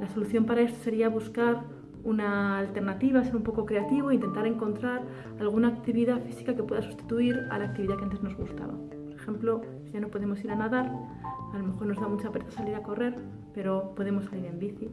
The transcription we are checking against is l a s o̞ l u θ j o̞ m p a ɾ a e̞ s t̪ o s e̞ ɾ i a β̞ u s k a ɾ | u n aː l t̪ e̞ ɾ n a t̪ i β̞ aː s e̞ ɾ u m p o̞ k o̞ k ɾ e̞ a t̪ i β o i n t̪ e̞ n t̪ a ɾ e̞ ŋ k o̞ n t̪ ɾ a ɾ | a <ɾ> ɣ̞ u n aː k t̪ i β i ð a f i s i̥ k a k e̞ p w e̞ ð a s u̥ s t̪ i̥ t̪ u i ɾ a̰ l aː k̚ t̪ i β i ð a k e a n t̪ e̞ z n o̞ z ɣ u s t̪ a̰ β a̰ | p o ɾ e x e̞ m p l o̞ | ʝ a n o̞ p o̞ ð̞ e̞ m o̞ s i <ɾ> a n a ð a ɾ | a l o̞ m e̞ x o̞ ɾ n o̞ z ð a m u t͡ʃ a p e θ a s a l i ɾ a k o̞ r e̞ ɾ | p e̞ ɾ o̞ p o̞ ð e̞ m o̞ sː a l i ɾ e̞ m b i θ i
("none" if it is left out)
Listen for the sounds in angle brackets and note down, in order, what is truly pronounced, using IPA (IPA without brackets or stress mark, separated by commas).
l, ɾ